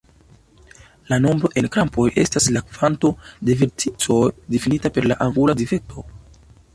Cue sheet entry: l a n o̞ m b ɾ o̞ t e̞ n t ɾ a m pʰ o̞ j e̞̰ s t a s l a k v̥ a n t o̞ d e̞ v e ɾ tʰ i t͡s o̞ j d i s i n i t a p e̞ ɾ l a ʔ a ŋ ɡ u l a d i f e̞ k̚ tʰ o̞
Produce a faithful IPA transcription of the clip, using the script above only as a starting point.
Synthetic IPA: l a n o̞ m b ɾ o̞ ʔ e̞ n k ɾ a m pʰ o̞ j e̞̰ s t a s l a k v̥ a n t o̞ d e̞ v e ɾ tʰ i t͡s o̞ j d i f i n i t a p e̞ ɾ l a ʔ a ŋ ɡ u l a d i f e̞ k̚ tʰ o̞